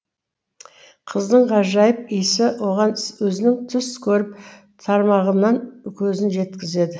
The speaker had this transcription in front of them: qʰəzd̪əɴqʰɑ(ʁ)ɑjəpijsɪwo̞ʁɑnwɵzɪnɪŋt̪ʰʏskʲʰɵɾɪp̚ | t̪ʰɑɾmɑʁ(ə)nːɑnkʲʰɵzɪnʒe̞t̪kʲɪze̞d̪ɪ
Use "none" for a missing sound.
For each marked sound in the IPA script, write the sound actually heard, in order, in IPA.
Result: ʒ, ə

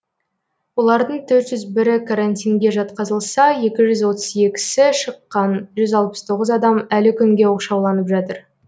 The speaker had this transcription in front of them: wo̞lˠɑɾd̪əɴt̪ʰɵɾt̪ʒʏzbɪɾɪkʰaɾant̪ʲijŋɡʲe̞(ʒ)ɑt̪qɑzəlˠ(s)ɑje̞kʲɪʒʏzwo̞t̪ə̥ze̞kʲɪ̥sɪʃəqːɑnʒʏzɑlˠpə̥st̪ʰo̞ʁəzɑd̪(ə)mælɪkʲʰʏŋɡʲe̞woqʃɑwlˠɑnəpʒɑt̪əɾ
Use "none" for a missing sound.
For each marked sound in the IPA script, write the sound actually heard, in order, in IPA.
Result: ʒ, s, ɑ

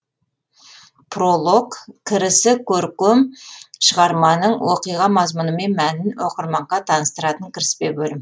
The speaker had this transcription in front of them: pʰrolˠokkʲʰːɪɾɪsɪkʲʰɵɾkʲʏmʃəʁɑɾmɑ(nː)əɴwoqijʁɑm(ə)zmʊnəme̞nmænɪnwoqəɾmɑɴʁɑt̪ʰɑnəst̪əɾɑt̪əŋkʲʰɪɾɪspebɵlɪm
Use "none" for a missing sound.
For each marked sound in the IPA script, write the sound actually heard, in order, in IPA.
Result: n, ɑ

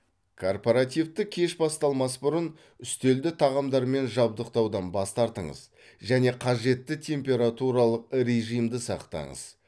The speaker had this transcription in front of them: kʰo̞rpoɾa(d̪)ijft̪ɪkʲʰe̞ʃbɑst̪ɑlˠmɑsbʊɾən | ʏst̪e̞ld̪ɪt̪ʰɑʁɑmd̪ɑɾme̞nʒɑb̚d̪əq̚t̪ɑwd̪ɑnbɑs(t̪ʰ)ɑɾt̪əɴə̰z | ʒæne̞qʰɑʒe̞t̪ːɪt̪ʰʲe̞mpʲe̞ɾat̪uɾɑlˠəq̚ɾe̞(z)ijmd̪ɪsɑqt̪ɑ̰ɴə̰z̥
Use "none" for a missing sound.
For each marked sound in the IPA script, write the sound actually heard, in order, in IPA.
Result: t̪, t̪, ʒ

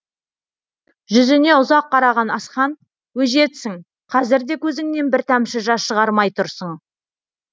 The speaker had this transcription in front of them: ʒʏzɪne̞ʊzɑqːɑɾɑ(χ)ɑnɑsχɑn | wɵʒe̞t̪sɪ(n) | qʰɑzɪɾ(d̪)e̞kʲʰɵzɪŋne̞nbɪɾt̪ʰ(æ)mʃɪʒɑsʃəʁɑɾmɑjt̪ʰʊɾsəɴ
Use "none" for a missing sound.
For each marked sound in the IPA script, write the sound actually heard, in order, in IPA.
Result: ʁ, ŋ, d̪, æ

